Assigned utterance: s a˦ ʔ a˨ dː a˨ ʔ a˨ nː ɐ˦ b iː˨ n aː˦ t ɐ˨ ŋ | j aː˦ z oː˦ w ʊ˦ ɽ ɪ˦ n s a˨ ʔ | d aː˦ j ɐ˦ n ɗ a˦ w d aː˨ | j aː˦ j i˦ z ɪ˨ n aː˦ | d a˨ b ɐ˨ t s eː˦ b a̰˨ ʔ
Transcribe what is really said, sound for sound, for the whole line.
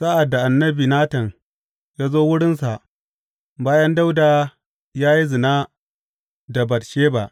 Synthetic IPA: s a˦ ʔ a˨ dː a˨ ʔ a˨ nː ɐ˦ b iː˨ n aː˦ t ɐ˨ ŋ | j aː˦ z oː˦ w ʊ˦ ɽ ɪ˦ n s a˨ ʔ | b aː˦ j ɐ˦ n d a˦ w d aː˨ | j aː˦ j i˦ z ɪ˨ n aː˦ | d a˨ b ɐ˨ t ʃ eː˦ b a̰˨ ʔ